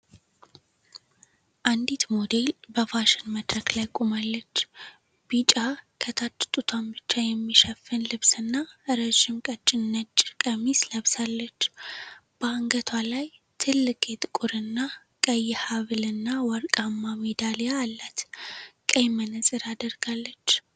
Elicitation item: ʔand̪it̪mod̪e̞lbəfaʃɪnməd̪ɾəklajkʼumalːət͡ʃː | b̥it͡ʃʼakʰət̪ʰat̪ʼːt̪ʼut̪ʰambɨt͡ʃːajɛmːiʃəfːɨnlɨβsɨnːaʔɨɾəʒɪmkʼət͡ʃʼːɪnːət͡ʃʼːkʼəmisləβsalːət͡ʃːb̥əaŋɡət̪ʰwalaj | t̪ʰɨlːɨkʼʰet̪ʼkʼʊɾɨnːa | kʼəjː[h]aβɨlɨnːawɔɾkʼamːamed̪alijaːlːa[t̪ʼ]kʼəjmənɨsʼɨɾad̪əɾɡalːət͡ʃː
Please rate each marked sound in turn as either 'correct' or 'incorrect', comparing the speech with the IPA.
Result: correct, incorrect: t̪

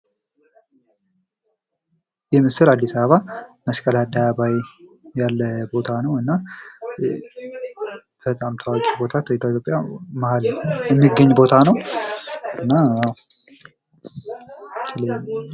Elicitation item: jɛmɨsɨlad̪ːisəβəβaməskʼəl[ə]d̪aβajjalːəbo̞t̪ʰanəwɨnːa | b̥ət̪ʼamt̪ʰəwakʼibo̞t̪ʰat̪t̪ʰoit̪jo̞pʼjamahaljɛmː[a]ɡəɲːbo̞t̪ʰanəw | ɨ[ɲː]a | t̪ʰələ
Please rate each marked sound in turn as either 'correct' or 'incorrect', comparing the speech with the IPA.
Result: incorrect: a, incorrect: i, incorrect: nː

